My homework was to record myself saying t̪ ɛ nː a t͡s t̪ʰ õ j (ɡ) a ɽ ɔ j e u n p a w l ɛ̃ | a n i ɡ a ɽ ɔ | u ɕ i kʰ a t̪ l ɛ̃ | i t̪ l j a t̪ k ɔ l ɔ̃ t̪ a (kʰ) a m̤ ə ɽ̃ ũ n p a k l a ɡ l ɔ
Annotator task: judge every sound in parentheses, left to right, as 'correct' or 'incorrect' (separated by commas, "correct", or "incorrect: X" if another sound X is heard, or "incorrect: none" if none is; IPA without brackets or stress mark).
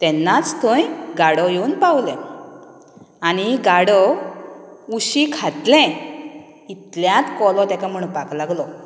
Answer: correct, incorrect: k